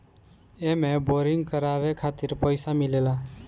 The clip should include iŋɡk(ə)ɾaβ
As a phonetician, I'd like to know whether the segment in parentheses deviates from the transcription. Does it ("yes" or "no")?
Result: no